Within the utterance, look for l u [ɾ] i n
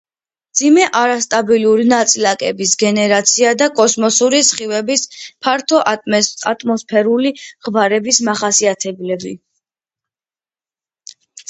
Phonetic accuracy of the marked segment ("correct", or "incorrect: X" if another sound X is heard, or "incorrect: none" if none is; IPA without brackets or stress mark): correct